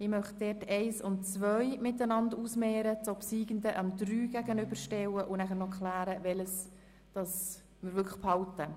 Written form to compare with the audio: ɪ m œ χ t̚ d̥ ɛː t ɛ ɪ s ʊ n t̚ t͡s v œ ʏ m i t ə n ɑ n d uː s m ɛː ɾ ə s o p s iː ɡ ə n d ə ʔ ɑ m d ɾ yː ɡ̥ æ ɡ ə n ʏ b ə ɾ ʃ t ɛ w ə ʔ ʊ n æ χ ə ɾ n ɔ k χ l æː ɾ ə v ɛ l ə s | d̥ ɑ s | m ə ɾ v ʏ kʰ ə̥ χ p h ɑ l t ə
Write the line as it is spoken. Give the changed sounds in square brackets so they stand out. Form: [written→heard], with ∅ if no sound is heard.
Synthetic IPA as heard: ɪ m œ χ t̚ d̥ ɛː t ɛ ɪ s ʊ n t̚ t͡s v œ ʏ m [i→ɪ] t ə n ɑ n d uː s m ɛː ɾ ə [s→t͡s] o p s iː ɡ ə n d ə ʔ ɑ m d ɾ yː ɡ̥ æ ɡ ə n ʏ b ə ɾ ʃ t ɛ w ə ʔ ʊ n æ χ ə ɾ n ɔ k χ l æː ɾ ə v ɛ l ə s | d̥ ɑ s | m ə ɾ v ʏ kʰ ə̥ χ p h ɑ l t ə